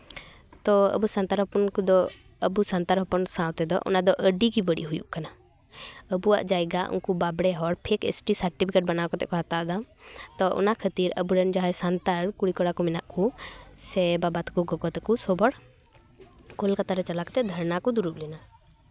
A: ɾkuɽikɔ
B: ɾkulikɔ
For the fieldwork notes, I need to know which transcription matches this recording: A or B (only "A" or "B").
A